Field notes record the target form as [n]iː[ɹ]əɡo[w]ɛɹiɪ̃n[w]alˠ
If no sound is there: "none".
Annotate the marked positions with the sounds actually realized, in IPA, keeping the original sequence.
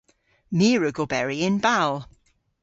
m, ɹ, b, b

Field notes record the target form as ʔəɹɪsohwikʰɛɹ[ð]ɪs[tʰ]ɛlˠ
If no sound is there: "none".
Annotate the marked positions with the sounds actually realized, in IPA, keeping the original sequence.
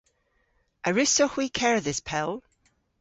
ð, pʰ

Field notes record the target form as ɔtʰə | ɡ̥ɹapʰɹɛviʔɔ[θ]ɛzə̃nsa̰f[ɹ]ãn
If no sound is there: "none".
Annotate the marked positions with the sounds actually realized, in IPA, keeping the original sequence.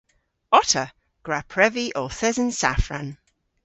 θ, ɹ

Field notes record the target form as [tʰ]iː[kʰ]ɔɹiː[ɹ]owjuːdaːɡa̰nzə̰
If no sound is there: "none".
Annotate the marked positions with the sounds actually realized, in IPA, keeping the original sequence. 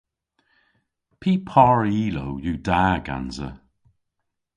pʰ, pʰ, l

